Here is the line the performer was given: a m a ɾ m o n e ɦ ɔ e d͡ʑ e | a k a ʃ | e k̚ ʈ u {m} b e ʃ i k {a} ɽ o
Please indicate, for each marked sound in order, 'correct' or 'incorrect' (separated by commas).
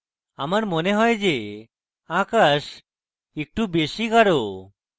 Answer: incorrect, correct